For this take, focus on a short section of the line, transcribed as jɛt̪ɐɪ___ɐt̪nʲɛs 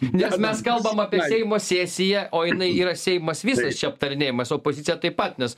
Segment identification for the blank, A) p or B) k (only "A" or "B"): A